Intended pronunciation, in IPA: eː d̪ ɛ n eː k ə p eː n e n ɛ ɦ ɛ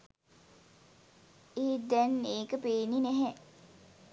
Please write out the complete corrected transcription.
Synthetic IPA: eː d̪ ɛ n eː k ə p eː n i n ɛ ɦ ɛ